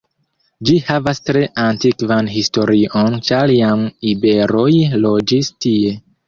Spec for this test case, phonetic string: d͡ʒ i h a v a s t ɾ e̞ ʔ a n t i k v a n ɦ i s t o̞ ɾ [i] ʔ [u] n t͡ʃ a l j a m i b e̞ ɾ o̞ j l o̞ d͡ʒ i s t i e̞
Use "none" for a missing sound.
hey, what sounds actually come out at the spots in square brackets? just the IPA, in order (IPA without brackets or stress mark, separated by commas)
i, o